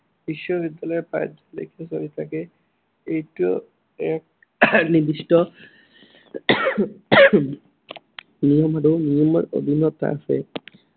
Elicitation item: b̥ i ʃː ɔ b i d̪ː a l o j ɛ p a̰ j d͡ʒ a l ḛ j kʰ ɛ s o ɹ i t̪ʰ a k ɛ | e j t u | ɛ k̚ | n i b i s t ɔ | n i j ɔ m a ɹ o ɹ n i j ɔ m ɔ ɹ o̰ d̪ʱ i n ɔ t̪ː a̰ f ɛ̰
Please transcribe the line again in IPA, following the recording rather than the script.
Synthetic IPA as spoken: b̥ i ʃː ɔ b i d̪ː a l ɔ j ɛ p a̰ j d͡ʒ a l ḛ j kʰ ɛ s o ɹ i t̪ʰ a k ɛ | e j t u | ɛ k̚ | n i b i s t ɔ | n i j ɔ m a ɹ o n i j ɔ m ɔ ɹ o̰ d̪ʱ i n ɔ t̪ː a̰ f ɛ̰